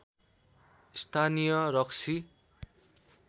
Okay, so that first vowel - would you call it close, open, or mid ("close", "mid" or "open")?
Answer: open